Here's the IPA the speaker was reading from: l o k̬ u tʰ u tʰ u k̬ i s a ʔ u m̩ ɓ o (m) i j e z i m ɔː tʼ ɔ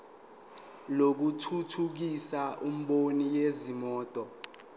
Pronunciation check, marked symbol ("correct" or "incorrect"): incorrect